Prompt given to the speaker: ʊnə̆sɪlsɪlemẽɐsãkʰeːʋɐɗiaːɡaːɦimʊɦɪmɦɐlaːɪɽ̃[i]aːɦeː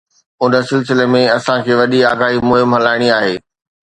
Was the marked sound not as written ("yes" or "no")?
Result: no